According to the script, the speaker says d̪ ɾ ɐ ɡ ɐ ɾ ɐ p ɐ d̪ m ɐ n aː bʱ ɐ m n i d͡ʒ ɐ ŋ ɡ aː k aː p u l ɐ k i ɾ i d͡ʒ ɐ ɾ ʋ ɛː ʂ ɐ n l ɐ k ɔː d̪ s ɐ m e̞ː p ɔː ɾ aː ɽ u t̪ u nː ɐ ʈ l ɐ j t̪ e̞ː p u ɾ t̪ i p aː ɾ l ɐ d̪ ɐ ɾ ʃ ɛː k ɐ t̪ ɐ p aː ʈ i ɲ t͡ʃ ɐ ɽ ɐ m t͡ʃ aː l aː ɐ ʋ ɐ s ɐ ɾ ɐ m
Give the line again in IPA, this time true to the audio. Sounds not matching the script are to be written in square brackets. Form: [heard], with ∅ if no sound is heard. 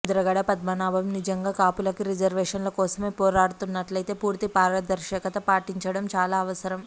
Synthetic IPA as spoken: d̪ ɾ ɐ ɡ ɐ [ɽ] ɐ p ɐ d̪ m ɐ n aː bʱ ɐ m n i d͡ʒ ɐ ŋ ɡ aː k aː p u l ɐ k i ɾ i d͡ʒ ɐ ɾ ʋ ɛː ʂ ɐ n l ɐ k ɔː [∅] s ɐ m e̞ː p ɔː ɾ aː ɽ u t̪ u nː ɐ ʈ l ɐ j t̪ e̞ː p [uː] ɾ t̪ i p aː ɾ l ɐ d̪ ɐ ɾ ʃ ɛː k ɐ t̪ ɐ p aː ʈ i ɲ t͡ʃ ɐ ɽ ɐ m t͡ʃ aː l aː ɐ ʋ ɐ s ɐ ɾ ɐ m